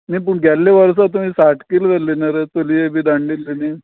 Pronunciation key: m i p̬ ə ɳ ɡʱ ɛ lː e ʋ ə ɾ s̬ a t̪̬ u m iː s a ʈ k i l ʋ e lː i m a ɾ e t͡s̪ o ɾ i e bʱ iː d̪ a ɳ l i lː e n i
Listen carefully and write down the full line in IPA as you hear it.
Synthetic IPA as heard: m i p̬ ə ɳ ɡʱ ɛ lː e ʋ ə ɾ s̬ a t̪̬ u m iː s a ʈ k i l ʋ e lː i n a ɾ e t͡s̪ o l i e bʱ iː d̪ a ɳ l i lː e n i